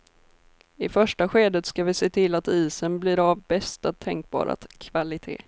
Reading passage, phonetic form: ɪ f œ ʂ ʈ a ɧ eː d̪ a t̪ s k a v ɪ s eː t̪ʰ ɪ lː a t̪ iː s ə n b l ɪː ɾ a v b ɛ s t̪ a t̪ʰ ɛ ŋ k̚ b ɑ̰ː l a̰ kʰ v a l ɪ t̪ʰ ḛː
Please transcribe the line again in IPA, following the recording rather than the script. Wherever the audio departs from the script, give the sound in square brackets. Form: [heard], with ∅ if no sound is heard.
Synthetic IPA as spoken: ɪ f œ ʂ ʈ a ɧ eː d̪ [ə] t̪ s k a v ɪ s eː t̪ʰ ɪ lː a t̪ iː s ə n b l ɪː ɾ a v b ɛ s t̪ a t̪ʰ ɛ ŋ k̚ b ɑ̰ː [ɾ] a̰ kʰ v a l ɪ t̪ʰ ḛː